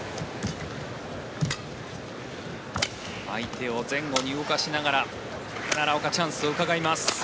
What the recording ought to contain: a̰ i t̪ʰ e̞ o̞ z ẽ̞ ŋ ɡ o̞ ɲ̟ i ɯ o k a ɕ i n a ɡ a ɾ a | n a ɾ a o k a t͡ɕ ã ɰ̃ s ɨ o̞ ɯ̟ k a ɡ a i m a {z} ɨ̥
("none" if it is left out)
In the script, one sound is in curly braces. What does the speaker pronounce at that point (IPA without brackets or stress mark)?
s